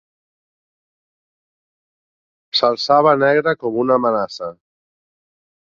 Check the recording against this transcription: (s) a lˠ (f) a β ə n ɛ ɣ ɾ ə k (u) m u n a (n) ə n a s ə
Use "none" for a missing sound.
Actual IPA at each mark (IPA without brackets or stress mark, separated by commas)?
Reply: s, s, ɔ, m